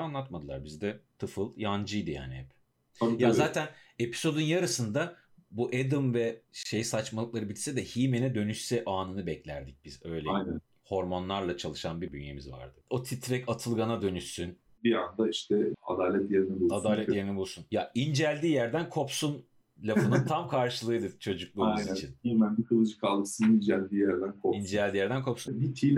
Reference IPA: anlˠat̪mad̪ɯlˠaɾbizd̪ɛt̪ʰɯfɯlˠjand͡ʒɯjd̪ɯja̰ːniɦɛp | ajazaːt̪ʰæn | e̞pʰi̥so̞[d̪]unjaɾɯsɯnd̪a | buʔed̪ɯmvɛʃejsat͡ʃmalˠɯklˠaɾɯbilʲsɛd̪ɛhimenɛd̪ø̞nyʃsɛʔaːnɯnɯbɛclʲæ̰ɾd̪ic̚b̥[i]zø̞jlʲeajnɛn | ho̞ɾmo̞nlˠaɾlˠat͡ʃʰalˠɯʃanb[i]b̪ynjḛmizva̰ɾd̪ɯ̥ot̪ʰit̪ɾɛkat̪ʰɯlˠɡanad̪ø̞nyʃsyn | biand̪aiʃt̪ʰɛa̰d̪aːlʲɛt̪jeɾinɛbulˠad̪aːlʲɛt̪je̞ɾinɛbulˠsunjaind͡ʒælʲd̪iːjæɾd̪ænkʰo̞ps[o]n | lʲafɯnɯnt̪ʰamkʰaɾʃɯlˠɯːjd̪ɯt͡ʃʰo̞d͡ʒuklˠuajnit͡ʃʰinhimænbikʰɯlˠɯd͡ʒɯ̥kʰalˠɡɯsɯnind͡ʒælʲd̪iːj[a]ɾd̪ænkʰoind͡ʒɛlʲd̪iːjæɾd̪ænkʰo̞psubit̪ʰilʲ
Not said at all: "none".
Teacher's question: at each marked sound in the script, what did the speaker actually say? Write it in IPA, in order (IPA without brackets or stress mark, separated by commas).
d̪, i, i, u, æ